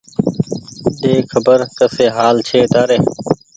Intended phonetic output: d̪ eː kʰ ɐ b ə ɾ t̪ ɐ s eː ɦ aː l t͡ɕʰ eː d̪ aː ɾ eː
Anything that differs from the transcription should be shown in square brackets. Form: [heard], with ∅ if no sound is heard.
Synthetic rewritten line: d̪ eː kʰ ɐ b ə ɾ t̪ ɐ s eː ɦ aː l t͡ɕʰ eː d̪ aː ɾ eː